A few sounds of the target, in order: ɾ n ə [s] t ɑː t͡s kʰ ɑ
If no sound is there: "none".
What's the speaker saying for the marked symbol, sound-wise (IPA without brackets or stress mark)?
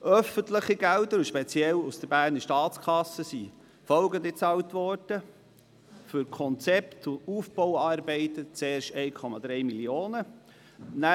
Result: ʃ